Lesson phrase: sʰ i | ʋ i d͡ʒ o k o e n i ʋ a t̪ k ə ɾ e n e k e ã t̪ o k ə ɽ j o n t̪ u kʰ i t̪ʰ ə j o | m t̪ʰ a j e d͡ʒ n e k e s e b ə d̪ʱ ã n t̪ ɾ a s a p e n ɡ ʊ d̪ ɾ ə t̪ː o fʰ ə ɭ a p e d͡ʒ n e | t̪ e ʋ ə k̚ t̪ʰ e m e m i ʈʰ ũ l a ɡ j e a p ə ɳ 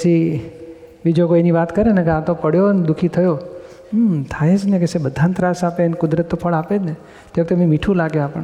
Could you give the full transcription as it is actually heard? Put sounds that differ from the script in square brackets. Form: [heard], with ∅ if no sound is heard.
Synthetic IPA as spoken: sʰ i | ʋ i d͡ʒ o k o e n i ʋ a t̪ k ə ɾ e n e k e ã t̪ o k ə ɽ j o n [d̪] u kʰ i t̪ʰ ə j o | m t̪ʰ a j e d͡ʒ n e k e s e b ə d̪ʱ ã n t̪ ɾ a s a p e n [k] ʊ d̪ ɾ ə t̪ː o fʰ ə ɭ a p e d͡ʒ n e | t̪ e ʋ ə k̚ [t̪] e m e m i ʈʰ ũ l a ɡ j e a p ə ɳ